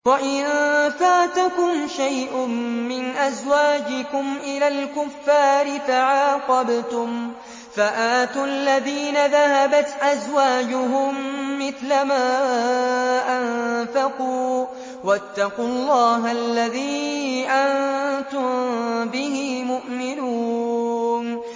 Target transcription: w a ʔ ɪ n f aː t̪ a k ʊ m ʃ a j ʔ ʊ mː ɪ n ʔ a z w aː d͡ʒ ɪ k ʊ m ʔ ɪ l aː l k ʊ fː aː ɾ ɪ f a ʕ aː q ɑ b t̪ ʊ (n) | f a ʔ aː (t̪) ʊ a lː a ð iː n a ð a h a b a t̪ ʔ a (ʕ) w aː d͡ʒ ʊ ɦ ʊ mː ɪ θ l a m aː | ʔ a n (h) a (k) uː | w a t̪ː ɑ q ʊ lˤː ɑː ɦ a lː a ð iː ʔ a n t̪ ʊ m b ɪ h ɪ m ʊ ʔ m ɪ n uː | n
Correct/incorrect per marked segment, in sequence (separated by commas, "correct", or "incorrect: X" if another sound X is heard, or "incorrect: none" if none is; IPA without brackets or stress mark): incorrect: m, correct, incorrect: z, incorrect: f, incorrect: q